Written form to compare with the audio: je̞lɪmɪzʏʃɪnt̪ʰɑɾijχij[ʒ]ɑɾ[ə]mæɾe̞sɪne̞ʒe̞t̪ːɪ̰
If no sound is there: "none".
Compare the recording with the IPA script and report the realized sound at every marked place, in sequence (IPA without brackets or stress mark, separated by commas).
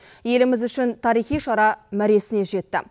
ʃ, ɑ